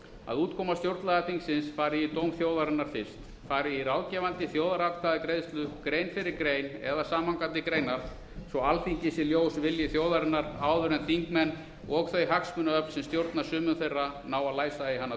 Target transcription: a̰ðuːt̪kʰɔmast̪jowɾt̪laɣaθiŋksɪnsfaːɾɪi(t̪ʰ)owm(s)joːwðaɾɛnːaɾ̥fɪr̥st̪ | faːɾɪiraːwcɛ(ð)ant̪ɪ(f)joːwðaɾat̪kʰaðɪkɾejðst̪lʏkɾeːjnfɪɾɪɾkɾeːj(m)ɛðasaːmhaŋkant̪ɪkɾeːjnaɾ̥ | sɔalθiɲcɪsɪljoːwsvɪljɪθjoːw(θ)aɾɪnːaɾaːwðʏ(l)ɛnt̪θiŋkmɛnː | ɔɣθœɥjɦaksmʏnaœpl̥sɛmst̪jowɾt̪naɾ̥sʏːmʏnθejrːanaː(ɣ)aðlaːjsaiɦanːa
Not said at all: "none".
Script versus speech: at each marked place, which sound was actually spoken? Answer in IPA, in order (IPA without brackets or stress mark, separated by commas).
t̪, θ, v, θ, n, ð, ɾ, w